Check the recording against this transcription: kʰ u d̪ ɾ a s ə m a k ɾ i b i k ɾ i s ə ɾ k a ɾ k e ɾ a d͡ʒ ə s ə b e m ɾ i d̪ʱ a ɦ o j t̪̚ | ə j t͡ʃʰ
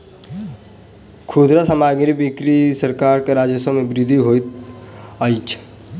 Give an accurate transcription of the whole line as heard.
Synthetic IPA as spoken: kʰ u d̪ ɾ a s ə m a ɡ ɾ i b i k ɾ i s ə ɾ k a ɾ k e ɾ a d͡ʒ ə s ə m e b ɾ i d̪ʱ i ɦ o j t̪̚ | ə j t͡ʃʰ